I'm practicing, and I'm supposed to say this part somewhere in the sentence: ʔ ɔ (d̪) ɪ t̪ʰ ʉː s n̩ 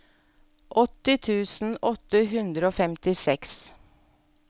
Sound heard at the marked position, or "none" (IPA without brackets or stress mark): t̪